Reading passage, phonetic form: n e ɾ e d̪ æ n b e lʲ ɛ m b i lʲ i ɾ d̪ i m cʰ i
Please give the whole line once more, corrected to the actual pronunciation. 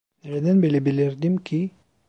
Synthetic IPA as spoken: n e ɾ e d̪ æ n b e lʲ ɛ b i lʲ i ɾ d̪ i m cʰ i